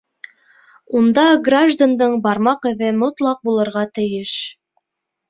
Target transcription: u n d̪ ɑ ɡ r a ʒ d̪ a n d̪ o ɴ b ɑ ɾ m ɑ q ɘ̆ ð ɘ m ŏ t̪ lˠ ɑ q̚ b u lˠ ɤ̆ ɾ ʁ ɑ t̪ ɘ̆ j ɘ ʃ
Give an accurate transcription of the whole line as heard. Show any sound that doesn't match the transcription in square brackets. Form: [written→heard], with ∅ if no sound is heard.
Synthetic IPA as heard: u n d̪ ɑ ɡ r a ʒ d̪ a n d̪ [o→ɤ] ɴ b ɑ ɾ m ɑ q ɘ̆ ð ɘ m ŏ t̪ lˠ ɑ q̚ b u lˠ ɤ̆ ɾ ʁ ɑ t̪ ɘ̆ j ɘ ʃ